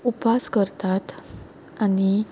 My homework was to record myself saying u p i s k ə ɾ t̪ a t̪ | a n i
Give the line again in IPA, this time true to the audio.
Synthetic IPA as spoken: u p a s k ə ɾ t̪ a t̪ | a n i